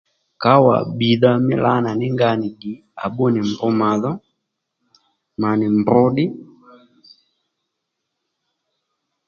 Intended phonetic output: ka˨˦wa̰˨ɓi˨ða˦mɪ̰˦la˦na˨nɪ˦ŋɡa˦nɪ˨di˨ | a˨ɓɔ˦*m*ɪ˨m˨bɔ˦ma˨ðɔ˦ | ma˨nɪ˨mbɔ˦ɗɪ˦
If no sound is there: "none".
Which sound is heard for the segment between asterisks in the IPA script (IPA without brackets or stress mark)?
n